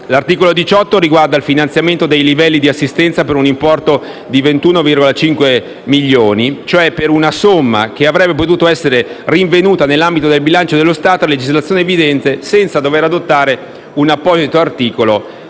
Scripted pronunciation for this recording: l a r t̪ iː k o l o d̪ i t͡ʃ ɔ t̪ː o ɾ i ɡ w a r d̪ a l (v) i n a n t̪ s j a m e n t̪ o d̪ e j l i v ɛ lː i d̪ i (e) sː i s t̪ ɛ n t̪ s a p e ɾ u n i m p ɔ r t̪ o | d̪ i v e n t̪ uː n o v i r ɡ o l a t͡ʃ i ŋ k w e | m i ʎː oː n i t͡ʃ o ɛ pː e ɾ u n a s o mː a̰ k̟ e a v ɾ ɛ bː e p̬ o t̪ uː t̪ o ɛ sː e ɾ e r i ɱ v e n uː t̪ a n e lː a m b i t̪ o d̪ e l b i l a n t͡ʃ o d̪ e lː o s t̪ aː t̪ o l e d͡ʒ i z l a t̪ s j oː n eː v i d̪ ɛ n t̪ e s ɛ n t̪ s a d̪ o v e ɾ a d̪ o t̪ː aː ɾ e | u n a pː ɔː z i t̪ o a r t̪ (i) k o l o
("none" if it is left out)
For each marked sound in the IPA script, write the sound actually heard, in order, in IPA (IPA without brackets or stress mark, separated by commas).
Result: f, a, iː